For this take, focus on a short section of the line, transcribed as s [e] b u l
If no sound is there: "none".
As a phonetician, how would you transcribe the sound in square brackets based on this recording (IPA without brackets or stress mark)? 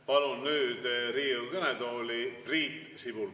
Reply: i